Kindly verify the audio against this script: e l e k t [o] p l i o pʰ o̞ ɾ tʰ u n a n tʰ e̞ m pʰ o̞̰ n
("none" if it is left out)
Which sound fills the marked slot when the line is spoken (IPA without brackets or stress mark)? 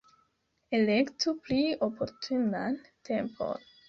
u